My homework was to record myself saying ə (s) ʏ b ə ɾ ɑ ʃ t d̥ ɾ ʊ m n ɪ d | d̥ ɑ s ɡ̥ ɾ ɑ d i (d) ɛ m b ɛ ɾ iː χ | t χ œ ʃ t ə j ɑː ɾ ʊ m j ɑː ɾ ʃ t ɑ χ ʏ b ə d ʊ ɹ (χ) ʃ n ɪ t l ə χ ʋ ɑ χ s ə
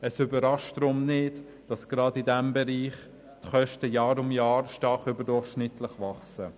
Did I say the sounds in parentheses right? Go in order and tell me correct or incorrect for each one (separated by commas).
correct, correct, correct